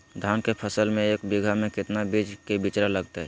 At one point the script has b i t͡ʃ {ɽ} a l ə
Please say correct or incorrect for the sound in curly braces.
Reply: incorrect: ɾ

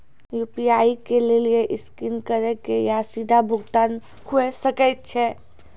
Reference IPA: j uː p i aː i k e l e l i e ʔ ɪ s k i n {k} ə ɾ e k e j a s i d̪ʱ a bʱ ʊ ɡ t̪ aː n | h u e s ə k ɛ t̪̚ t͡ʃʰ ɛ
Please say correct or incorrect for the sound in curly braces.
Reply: correct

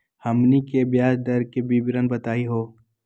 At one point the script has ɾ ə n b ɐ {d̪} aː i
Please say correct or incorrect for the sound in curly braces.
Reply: incorrect: t̪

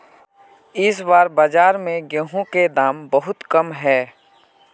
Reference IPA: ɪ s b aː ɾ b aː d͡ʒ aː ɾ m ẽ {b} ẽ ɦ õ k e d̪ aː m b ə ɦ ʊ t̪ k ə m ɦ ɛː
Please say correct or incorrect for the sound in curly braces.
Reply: incorrect: ɡ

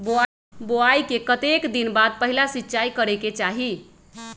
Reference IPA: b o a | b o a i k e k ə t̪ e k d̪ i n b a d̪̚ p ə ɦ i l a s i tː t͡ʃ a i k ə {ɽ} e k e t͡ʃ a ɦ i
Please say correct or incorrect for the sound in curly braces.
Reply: incorrect: ɾ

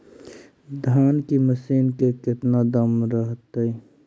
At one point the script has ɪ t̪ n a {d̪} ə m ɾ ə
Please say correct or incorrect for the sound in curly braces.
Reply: correct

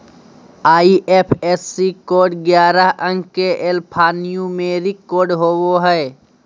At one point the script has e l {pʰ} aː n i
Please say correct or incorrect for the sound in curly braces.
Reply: correct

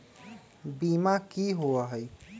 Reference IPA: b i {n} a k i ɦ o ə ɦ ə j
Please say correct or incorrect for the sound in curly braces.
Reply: incorrect: m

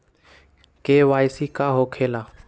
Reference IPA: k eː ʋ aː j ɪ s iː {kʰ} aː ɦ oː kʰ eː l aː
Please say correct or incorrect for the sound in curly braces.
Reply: incorrect: k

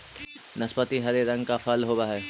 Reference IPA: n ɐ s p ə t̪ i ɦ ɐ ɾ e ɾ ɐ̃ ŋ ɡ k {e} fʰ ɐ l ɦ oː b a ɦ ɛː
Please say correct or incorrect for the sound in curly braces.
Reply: incorrect: a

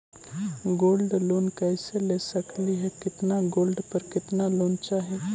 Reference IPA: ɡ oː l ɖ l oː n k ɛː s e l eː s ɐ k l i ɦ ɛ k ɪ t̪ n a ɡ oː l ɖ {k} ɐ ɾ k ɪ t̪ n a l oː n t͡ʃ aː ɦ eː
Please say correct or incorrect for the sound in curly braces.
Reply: incorrect: p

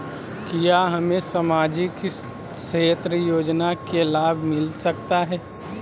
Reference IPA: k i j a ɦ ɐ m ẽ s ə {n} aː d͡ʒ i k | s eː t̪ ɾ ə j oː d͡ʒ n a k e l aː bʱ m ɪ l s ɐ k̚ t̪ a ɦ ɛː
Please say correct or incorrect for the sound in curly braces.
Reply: incorrect: m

